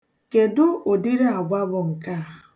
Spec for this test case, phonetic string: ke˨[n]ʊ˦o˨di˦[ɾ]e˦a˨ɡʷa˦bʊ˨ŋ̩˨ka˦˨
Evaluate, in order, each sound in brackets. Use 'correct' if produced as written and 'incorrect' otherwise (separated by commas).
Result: incorrect, correct